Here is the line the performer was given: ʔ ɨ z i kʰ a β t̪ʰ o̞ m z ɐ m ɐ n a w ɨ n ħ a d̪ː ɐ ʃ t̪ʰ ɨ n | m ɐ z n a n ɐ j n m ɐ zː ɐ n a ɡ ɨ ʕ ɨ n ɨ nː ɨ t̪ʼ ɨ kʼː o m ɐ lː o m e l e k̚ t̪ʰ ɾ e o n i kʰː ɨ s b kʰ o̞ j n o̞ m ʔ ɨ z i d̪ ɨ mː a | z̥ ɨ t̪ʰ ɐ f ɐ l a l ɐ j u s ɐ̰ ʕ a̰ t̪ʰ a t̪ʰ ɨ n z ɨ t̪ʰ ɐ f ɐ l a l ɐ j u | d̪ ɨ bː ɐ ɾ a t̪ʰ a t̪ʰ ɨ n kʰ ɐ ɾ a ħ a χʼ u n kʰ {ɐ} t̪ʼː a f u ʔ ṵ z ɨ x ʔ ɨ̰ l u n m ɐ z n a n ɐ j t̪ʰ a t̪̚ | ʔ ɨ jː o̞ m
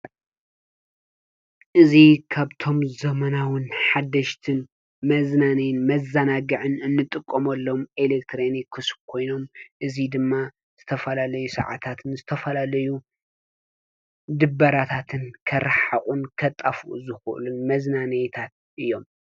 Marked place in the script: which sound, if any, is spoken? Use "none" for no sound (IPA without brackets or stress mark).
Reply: ɐ